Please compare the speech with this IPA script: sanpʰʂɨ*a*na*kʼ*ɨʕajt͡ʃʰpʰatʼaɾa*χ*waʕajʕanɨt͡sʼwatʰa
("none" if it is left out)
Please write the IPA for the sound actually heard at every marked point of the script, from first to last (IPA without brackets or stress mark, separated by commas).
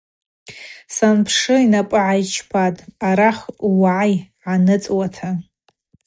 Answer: i, pʼ, χ